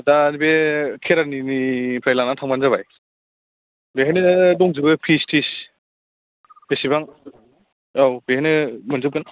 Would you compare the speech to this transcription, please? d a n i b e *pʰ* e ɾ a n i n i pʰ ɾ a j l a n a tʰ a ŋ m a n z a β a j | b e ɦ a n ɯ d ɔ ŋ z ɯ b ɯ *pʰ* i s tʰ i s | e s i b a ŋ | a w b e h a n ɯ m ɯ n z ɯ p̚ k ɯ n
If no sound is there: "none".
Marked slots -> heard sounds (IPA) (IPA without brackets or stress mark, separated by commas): kʰ, pʰ